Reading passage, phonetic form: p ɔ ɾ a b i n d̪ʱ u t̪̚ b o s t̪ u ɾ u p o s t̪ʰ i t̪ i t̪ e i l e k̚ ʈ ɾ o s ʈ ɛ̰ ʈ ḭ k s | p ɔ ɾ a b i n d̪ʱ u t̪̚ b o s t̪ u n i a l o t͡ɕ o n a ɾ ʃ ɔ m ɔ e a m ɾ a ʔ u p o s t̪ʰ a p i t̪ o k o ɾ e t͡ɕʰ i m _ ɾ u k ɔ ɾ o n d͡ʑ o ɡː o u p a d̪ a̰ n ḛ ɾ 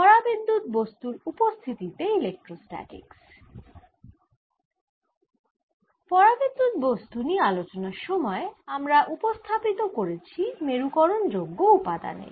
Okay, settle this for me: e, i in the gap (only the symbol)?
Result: e